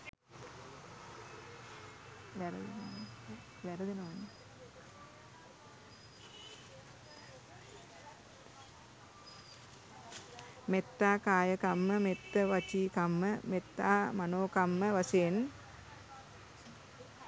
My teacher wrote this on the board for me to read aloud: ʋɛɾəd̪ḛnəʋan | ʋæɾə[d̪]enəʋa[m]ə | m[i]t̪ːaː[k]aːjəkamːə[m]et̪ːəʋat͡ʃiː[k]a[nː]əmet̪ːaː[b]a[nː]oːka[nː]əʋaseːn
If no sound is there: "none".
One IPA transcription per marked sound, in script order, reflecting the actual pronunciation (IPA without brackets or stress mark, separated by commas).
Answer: d̪, n, e, k, m, k, mː, m, n, mː